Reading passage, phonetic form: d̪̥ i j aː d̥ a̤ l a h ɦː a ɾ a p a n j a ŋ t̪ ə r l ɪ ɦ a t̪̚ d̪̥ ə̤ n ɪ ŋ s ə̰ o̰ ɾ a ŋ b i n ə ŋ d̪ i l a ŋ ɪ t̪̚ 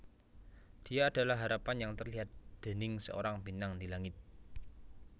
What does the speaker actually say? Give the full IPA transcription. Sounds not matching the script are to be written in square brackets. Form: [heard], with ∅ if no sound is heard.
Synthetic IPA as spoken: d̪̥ i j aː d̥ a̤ l a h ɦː a ɾ a p a n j a ŋ t̪ ə r l [i] ɦ a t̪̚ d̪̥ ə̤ n ɪ ŋ s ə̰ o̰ ɾ a ŋ b i n [a] ŋ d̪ i l a ŋ ɪ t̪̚

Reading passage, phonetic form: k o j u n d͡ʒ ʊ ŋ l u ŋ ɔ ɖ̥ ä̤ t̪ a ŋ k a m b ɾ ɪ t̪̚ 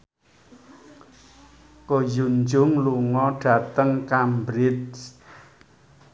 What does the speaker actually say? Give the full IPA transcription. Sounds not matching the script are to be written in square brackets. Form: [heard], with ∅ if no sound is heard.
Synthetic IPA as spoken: k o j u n d͡ʒ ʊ ŋ l u ŋ ɔ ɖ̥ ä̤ t̪ [ə] ŋ k a m b ɾ ɪ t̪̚

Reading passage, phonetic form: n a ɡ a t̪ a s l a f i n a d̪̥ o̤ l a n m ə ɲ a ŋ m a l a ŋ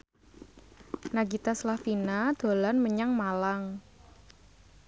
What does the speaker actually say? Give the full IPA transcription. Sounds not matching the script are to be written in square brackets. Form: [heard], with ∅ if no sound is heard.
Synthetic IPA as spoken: n a ɡ [i] t̪ a s l a f i n a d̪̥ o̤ l a n m ə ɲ a ŋ m a l a ŋ

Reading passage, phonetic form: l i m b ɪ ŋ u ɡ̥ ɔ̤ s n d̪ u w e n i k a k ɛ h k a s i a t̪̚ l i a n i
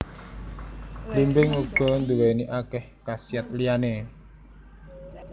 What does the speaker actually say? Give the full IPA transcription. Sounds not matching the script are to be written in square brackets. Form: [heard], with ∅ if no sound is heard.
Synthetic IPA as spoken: l i m b ɪ ŋ u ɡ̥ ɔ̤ [∅] n d̪ u w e n i [ʔ] a k ɛ h k a s i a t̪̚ l i a n [e]

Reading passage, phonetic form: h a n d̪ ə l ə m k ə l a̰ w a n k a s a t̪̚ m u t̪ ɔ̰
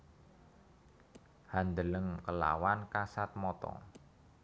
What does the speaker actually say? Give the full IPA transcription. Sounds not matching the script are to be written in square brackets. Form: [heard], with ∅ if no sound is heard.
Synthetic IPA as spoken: h a n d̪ ə l ə [ŋ] k ə l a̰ w a n k a s a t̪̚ m [ɔ] t̪ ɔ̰

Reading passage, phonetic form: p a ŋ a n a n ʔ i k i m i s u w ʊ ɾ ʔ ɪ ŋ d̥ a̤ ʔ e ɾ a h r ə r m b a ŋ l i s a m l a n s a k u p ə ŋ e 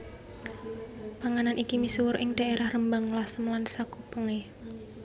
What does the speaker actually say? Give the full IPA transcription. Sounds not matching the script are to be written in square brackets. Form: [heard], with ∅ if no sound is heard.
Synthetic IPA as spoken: p a ŋ a n a n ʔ i k i m i s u w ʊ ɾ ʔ ɪ ŋ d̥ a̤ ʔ e ɾ a h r ə [∅] m b a ŋ l [a] s [ə] m l a n s a k u p ə ŋ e

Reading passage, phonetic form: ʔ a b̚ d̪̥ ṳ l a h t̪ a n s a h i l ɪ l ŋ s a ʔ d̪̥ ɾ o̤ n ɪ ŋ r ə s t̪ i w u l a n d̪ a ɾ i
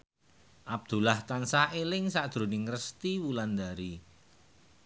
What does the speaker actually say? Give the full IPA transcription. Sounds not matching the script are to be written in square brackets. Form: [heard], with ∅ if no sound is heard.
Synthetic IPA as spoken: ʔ a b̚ d̪̥ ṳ l a h t̪ a n s a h [e] l ɪ [∅] ŋ s a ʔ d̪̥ ɾ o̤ n ɪ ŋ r ə s t̪ i w u l a n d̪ a ɾ i

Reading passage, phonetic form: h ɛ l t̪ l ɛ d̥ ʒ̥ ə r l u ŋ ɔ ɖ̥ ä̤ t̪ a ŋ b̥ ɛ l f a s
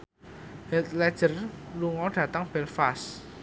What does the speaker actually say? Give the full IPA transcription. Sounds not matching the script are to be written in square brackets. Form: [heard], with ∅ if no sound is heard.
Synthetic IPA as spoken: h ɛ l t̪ l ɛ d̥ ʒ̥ ə r l u ŋ ɔ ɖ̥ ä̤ t̪ a ŋ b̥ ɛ l f a s

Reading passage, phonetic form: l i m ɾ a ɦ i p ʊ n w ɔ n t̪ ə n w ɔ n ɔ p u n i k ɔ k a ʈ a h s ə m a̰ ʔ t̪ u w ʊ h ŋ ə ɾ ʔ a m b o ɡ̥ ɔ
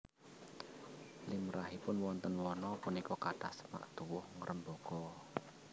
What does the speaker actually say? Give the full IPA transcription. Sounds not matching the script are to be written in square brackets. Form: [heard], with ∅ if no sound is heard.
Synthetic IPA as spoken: l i m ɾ a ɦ i p ʊ n w ɔ n t̪ ə n w ɔ n ɔ p u n i k ɔ k a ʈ a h s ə m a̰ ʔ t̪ u w ʊ h ŋ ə ɾ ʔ [ə] m b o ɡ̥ ɔ

